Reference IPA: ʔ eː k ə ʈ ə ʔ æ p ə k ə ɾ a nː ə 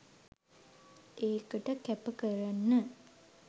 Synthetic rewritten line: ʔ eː k ə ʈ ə k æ p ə k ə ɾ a nː ə